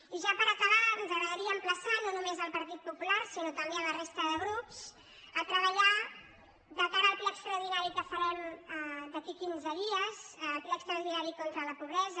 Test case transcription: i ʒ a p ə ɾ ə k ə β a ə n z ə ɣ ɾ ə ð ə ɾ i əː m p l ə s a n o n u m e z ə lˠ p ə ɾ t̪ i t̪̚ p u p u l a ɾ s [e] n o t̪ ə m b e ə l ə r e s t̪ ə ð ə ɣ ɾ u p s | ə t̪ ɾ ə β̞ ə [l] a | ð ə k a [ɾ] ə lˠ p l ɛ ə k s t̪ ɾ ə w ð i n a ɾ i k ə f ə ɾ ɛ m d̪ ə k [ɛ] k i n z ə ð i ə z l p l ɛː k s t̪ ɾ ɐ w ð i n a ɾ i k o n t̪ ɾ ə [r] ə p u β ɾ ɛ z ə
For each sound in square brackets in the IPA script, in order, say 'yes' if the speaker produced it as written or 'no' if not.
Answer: no, no, yes, no, no

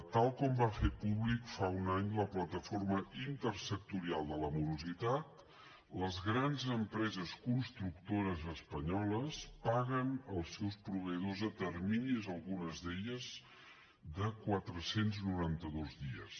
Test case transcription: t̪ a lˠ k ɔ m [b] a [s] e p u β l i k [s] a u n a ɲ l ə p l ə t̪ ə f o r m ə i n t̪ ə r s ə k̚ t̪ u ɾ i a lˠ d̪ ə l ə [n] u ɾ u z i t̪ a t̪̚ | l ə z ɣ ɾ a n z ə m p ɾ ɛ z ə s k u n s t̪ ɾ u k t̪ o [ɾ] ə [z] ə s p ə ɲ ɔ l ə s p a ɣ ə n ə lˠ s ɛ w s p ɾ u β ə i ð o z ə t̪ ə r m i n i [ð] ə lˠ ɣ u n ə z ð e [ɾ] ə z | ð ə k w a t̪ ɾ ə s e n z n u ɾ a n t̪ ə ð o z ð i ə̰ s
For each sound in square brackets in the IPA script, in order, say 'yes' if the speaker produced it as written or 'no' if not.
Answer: yes, no, no, no, yes, yes, no, no

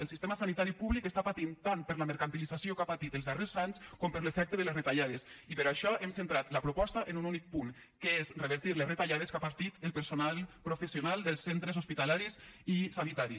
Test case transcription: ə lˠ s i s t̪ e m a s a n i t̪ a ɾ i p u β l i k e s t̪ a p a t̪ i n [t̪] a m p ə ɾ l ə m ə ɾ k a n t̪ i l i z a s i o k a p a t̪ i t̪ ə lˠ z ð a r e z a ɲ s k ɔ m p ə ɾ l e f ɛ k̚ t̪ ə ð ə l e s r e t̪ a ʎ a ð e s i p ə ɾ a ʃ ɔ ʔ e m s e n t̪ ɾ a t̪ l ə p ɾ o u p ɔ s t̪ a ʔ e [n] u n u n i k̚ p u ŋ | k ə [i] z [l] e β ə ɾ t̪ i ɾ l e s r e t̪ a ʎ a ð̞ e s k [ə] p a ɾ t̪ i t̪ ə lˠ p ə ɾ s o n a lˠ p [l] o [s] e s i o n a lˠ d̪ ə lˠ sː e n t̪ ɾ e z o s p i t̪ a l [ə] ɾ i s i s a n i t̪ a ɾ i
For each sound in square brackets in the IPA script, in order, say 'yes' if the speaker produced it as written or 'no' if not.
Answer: yes, yes, no, no, no, no, no, no

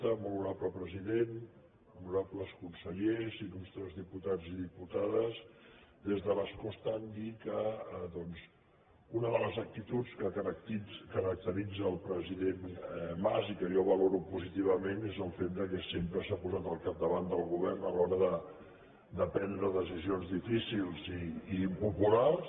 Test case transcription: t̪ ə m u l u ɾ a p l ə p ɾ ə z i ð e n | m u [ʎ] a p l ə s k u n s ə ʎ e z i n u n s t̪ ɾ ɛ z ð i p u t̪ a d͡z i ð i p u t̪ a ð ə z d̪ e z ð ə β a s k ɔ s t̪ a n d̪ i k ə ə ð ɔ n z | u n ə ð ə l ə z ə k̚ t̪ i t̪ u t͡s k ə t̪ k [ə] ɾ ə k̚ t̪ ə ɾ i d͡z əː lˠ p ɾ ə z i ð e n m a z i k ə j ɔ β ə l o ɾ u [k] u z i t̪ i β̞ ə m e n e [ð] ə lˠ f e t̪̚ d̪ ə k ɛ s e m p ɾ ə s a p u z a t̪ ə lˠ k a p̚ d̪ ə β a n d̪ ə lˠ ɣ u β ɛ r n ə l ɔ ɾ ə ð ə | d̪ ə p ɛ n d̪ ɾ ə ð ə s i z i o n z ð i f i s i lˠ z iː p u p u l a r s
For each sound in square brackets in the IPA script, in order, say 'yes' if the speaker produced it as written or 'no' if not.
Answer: no, yes, no, no

